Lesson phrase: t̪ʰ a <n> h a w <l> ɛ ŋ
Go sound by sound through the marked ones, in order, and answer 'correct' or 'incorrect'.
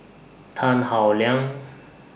correct, correct

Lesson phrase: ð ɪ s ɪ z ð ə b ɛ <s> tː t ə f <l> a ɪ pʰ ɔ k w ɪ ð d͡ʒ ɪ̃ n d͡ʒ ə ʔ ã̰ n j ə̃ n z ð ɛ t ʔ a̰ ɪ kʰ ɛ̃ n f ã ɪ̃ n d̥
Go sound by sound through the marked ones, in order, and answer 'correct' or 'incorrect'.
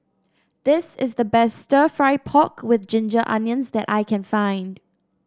correct, incorrect

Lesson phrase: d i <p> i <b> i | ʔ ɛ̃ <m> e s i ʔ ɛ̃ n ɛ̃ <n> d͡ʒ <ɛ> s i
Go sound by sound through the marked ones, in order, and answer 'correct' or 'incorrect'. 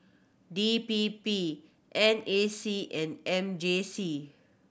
correct, incorrect, incorrect, incorrect, incorrect

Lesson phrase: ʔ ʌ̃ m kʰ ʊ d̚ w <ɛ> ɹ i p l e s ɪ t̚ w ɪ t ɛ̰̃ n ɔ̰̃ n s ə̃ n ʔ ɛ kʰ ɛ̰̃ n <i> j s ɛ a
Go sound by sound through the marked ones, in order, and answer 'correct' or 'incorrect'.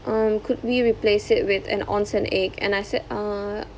incorrect, incorrect

